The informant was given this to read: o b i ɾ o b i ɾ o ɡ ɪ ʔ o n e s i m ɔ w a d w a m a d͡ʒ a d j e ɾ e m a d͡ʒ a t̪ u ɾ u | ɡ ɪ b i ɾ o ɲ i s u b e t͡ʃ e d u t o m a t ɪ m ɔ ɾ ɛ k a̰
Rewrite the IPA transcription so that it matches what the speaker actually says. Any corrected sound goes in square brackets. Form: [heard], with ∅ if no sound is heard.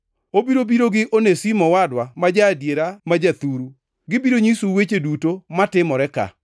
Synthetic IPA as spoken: o b i ɾ o b i ɾ o ɡ ɪ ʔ o n e s i m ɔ w a d w a m a d͡ʒ a d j e ɾ [a] m a d͡ʒ a t̪ u ɾ u | ɡ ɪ b i ɾ o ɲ i s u [w] e t͡ʃ e d u t o m a t ɪ m ɔ ɾ ɛ k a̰